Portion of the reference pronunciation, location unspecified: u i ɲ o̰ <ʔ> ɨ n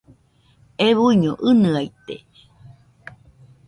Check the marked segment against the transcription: correct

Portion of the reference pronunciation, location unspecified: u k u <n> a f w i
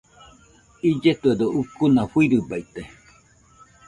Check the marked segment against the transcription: correct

